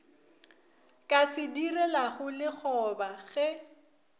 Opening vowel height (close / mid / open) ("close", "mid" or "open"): open